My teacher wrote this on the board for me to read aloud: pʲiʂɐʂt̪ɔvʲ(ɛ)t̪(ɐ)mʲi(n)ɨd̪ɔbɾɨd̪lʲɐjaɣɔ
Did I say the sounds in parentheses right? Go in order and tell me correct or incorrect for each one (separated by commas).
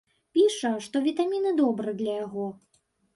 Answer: incorrect, incorrect, correct